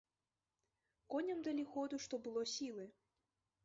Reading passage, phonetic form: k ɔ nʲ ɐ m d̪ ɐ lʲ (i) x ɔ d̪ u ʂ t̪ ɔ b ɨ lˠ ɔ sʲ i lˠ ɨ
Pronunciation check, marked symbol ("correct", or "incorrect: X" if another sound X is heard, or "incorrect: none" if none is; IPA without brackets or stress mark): correct